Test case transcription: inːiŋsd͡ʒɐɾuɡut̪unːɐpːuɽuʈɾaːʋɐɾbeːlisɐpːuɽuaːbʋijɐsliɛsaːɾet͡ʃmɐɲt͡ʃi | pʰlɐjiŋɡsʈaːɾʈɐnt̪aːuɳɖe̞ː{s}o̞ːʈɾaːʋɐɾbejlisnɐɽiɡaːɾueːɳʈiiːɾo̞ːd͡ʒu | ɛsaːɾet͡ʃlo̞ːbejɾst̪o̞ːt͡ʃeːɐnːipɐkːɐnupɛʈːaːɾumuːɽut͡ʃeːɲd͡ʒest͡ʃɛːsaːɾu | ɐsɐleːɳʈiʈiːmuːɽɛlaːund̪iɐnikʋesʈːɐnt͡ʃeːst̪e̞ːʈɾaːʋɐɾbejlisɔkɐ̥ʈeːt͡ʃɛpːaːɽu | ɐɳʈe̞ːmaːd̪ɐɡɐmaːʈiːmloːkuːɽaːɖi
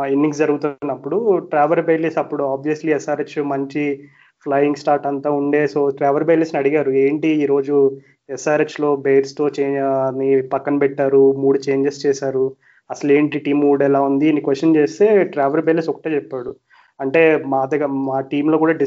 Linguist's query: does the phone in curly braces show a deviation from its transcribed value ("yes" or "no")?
no